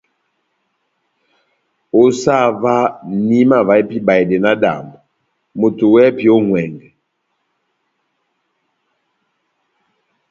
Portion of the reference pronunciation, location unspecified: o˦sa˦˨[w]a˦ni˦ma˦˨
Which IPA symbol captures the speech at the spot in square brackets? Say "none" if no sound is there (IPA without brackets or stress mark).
v